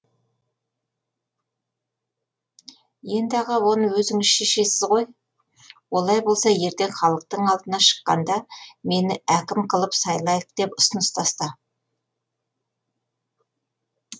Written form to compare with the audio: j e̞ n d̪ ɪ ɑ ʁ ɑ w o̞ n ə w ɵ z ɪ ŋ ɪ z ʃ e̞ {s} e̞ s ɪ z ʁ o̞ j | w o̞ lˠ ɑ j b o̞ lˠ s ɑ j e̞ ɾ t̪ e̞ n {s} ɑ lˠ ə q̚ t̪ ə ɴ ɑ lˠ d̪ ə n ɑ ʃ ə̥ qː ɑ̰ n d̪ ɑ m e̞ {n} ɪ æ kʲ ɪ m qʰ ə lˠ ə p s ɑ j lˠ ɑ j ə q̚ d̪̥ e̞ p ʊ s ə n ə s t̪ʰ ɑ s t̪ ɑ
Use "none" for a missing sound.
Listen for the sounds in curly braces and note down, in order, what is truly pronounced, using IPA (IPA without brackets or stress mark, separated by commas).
ʃ, χ, n